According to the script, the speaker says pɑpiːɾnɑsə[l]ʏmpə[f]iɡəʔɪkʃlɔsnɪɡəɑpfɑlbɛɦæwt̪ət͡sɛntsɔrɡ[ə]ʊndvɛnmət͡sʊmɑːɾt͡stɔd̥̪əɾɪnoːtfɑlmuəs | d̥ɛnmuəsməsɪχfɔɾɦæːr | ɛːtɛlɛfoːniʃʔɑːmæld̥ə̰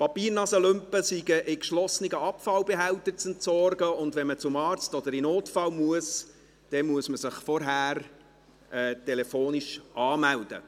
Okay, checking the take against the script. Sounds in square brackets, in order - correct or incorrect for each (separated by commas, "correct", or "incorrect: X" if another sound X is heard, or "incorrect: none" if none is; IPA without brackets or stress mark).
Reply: correct, incorrect: s, correct